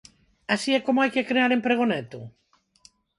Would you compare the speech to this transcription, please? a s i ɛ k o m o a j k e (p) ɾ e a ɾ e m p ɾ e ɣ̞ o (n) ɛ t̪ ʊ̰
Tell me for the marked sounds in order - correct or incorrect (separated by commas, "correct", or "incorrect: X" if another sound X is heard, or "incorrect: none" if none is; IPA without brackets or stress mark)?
incorrect: k, correct